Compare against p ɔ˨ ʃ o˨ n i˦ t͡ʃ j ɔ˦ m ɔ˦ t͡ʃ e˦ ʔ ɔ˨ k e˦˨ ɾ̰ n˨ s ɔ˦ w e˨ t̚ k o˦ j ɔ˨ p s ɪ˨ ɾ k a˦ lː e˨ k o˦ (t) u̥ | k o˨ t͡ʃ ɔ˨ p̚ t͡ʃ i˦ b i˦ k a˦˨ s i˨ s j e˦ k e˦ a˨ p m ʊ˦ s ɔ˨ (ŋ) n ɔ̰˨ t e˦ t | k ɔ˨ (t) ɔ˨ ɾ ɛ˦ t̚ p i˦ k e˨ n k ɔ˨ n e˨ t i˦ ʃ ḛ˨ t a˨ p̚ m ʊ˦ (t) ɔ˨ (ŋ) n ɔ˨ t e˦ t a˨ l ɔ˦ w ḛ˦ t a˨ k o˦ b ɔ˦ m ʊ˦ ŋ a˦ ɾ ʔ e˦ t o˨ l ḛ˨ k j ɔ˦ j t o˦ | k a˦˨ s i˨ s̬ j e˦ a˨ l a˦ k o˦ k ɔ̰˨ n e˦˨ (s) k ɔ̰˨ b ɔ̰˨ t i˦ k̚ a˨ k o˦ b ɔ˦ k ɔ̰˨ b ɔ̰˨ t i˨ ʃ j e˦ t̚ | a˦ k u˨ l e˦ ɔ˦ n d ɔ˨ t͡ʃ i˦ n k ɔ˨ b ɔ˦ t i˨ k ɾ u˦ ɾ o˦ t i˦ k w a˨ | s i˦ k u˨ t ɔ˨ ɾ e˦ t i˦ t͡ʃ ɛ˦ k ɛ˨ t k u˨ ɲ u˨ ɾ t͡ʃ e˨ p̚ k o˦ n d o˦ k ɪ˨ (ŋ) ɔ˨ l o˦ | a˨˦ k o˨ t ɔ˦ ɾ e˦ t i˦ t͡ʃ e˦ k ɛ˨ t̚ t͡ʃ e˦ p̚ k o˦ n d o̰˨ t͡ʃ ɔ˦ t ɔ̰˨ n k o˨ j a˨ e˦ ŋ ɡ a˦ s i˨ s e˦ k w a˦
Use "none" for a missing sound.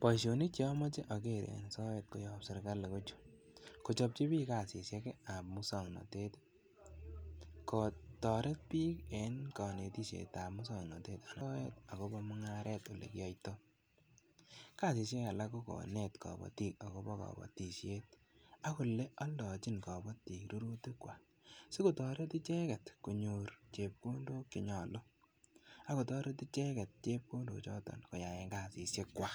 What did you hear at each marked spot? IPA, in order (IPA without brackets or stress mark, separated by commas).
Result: t͡ʃ, ŋ, t, s, ŋ, t, ɲ